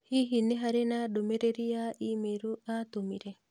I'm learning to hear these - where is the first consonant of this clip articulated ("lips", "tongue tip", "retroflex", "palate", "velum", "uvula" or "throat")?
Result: throat